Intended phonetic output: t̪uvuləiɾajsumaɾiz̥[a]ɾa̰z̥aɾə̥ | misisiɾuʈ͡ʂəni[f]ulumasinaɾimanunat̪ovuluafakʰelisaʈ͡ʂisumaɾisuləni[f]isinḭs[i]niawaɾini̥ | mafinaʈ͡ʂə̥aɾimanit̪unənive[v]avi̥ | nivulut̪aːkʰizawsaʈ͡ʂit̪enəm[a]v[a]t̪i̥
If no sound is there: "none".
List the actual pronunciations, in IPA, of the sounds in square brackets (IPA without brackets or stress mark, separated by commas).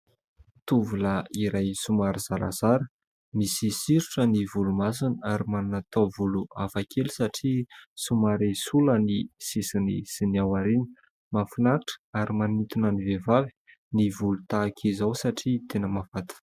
a, v, s, i, v, a, a